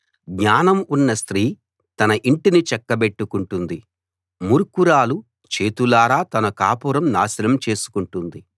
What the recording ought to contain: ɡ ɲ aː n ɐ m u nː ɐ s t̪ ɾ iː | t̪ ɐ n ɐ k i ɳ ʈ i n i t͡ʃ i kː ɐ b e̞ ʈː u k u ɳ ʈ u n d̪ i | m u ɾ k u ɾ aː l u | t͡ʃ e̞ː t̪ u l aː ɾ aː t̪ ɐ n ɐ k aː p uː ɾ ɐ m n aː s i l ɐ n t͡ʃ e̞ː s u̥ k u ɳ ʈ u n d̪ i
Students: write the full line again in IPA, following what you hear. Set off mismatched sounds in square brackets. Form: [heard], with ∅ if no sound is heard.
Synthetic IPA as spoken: ɡ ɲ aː n ɐ m u nː ɐ s t̪ ɾ iː | t̪ ɐ n ɐ [ʔ] i ɳ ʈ i n i t͡ʃ [ɛ] kː ɐ b e̞ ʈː u k u ɳ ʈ u n d̪ i | m u ɾ k u ɾ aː l u | t͡ʃ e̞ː t̪ u l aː ɾ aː t̪ ɐ n ɐ k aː p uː ɾ ɐ m n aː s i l ɐ [m] t͡ʃ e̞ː s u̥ k u ɳ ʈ u n d̪ i